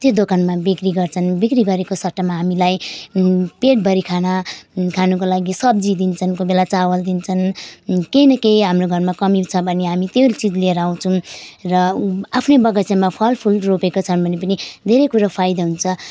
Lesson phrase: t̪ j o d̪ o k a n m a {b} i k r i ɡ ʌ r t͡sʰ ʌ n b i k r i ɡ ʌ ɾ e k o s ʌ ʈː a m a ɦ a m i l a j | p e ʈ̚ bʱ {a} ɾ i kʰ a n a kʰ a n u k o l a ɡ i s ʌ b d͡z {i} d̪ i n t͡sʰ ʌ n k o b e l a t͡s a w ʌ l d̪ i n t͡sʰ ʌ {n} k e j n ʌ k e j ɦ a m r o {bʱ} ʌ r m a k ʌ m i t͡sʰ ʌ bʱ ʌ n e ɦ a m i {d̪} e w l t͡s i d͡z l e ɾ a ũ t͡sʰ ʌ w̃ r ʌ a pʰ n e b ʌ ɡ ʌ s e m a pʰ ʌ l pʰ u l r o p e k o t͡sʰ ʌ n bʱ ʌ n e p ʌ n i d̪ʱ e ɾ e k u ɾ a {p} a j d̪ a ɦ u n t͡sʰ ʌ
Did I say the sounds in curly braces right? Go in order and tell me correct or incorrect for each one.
correct, incorrect, correct, correct, incorrect, incorrect, incorrect

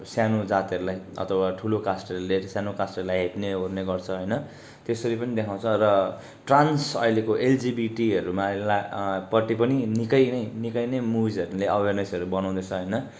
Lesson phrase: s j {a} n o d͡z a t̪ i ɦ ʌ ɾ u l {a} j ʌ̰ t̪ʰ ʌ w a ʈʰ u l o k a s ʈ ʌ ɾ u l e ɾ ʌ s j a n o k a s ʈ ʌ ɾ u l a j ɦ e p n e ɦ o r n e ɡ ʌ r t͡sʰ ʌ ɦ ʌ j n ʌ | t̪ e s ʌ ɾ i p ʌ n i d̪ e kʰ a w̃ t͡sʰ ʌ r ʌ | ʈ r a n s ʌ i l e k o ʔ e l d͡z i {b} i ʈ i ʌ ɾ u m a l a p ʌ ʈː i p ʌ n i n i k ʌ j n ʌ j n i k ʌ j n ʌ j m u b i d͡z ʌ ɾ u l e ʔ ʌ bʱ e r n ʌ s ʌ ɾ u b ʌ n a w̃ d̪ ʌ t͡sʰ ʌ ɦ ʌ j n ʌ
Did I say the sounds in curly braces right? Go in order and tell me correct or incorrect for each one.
correct, correct, correct

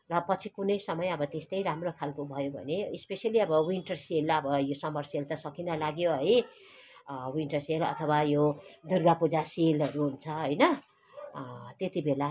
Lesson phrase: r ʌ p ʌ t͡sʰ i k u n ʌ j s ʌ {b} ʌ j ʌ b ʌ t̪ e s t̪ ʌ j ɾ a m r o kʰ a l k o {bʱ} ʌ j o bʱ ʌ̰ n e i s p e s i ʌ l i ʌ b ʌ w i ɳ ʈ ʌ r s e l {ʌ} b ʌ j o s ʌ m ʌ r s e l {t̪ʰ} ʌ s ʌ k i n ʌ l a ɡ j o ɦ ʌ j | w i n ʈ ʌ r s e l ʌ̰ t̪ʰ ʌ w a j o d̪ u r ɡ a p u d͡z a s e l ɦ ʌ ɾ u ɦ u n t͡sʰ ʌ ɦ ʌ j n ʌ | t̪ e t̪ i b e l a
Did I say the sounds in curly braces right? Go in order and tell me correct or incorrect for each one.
incorrect, correct, correct, incorrect

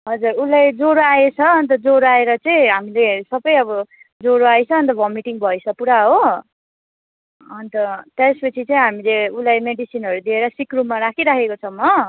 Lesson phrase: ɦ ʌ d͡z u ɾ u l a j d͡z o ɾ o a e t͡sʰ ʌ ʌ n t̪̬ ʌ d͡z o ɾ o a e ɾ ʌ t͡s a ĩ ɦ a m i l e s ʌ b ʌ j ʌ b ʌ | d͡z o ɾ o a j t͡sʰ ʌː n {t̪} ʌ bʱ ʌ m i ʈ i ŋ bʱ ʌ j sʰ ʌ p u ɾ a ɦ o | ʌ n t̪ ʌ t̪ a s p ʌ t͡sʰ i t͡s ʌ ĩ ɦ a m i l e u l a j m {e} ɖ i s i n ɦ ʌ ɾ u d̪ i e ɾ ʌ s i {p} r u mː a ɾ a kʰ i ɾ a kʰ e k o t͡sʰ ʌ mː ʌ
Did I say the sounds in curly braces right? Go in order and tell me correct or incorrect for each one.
correct, correct, incorrect

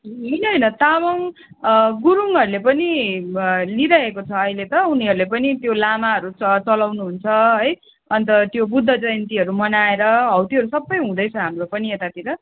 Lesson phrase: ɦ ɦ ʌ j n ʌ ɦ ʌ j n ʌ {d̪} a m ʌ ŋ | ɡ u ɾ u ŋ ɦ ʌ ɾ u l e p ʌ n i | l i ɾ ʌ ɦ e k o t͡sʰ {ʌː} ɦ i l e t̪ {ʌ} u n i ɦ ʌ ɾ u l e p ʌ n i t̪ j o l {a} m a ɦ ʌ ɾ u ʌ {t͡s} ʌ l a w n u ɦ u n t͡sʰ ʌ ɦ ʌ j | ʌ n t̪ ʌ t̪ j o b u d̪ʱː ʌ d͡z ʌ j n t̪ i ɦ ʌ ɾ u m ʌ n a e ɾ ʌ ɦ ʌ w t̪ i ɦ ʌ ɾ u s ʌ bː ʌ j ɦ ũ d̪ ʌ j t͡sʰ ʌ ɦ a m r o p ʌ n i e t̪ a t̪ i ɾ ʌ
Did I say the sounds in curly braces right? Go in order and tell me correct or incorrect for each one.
incorrect, correct, correct, correct, correct

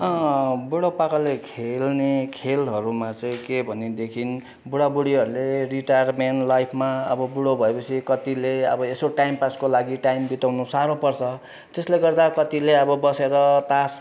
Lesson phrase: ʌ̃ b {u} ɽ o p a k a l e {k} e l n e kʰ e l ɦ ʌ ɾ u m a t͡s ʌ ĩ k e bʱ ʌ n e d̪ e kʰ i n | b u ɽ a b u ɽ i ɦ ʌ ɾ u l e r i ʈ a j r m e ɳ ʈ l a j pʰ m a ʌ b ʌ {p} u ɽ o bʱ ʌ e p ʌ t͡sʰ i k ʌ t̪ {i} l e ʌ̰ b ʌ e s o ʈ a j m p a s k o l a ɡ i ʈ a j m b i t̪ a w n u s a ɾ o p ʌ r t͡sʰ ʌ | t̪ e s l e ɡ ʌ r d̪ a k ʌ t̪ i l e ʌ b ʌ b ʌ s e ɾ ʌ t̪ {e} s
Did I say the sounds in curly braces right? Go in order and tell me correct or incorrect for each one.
correct, incorrect, incorrect, correct, incorrect

